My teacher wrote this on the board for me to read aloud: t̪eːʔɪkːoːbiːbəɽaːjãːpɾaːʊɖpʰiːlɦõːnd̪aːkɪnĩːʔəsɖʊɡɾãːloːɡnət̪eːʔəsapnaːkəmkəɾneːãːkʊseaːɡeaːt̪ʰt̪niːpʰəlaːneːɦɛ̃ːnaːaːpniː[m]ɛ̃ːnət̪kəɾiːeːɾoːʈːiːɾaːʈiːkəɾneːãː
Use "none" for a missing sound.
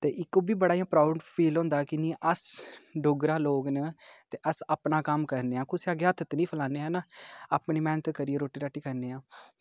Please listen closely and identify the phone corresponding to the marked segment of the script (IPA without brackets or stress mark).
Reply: m